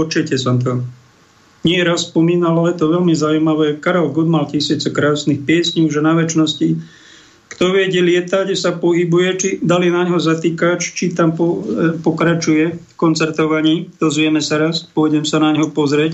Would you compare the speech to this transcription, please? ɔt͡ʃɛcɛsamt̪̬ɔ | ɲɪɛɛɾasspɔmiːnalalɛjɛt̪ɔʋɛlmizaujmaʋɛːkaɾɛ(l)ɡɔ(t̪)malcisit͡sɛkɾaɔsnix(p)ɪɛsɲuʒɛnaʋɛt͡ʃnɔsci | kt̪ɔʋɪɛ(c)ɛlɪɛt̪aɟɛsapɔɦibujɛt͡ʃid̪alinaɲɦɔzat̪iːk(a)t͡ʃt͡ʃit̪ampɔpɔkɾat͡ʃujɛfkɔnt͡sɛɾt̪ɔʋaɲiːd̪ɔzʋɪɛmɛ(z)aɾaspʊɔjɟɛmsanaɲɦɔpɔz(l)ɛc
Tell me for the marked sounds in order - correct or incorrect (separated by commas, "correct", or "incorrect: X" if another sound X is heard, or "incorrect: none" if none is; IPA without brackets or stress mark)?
correct, incorrect: d̪, correct, incorrect: ɟ, correct, incorrect: s, incorrect: ɾ